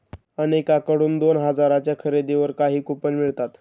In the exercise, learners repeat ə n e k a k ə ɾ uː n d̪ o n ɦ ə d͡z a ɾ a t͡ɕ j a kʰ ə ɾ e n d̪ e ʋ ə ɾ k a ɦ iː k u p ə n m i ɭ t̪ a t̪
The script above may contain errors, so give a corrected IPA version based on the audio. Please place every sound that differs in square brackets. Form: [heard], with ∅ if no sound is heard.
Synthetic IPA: ə n e k a k ə [ɽ] uː n d̪ o n ɦ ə d͡z a ɾ a t͡ɕ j a kʰ ə ɾ e [∅] d̪ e ʋ ə ɾ k a ɦ iː k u p ə n m i ɭ t̪ a t̪